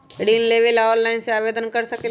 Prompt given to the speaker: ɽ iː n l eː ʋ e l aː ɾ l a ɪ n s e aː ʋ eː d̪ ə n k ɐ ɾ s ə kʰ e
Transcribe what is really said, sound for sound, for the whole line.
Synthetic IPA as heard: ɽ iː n l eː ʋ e l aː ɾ l a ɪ n s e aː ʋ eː d̪ ə n k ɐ ɾ s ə k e